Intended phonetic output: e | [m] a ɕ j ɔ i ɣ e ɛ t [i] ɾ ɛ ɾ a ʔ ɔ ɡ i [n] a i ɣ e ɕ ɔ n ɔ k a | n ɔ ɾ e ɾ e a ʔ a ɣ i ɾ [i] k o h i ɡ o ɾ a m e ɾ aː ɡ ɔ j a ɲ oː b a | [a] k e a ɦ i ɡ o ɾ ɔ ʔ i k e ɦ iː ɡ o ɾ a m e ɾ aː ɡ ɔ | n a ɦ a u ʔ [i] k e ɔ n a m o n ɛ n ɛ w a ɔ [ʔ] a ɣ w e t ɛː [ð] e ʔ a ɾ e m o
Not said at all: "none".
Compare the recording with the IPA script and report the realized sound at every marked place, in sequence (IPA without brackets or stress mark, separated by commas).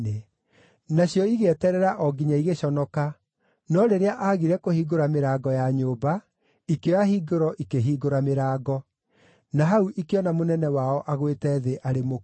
n, ɛ, ɲ, ɛ, i, i, ʔ, ð